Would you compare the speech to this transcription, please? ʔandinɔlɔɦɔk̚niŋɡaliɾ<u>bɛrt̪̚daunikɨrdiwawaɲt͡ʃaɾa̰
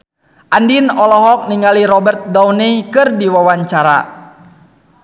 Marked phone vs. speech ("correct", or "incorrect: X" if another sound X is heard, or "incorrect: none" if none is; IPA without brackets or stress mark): incorrect: ɔ